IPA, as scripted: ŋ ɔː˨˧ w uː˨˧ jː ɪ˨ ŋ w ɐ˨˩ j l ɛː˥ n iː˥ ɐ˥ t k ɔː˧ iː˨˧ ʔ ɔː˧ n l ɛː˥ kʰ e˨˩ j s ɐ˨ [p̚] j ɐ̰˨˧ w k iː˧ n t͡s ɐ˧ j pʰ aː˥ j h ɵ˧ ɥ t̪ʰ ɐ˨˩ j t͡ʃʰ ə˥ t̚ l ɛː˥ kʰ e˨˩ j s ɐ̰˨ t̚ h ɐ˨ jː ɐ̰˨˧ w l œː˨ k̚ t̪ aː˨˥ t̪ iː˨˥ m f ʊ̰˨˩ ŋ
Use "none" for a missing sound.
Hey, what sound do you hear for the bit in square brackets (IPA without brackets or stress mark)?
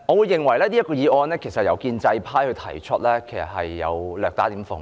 t̚